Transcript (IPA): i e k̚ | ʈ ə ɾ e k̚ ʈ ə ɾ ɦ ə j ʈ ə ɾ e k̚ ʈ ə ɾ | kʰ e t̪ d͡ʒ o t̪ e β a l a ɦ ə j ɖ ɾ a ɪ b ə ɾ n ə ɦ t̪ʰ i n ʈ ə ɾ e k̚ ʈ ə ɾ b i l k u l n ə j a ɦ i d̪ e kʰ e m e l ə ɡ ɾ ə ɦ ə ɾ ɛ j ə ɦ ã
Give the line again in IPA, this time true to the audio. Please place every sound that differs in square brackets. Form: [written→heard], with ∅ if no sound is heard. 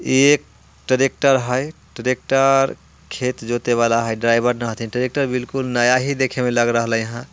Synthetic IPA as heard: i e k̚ | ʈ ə ɾ e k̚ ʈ ə ɾ ɦ ə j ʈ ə ɾ e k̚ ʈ ə ɾ | kʰ e t̪ d͡ʒ o t̪ e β a l a ɦ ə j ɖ ɾ a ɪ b ə ɾ n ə ɦ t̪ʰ i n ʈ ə ɾ e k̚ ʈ ə ɾ b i l k u l n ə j a ɦ i d̪ e kʰ e m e l ə ɡ ɾ ə ɦ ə [ɾ→l] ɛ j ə ɦ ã